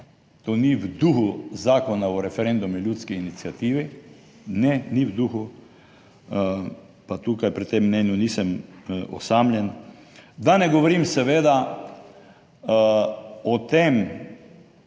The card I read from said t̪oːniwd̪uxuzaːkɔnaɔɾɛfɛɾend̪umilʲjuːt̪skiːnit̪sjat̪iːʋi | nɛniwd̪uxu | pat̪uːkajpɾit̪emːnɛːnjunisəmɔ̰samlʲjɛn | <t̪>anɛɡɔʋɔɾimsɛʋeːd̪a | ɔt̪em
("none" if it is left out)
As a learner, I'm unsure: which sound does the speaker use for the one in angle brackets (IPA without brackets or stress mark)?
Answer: d̪